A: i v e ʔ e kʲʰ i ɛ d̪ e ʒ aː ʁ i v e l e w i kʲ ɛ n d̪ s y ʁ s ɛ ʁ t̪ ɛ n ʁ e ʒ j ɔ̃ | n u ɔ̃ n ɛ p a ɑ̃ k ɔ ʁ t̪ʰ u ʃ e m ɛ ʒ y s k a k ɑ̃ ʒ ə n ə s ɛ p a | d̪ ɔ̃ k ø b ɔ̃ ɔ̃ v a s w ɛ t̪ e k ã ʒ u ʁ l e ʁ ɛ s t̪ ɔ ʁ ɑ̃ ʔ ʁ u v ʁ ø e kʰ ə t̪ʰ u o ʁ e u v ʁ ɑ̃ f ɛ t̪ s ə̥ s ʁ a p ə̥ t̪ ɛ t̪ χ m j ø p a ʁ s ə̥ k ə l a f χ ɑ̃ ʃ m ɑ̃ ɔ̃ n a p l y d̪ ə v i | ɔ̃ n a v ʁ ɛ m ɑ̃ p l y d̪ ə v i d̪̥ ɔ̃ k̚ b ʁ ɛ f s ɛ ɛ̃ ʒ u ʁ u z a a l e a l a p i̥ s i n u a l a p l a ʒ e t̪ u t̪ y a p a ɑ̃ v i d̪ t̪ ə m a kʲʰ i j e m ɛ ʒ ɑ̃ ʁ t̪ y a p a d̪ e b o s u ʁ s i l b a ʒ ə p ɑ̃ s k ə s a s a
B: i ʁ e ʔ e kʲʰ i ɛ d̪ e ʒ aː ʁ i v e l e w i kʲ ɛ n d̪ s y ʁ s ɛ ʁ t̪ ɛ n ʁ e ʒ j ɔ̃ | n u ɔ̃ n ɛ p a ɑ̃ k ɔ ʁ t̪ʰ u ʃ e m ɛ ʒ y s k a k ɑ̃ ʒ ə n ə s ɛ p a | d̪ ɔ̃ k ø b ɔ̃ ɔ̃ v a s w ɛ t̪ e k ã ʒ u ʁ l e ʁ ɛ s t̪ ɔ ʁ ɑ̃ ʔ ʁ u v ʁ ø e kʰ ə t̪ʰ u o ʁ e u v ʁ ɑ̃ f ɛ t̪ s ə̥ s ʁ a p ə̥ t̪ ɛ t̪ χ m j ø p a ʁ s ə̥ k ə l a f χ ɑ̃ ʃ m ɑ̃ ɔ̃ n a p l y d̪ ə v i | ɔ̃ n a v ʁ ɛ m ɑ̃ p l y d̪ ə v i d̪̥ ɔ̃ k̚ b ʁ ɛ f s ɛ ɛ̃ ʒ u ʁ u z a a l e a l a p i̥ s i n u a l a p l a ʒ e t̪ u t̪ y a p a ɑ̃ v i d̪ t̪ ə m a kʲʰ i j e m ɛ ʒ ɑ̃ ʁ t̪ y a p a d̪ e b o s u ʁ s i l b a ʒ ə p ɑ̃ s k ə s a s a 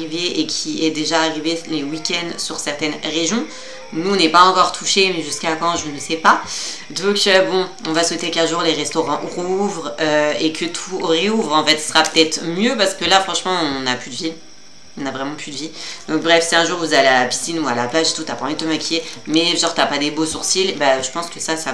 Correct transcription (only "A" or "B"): A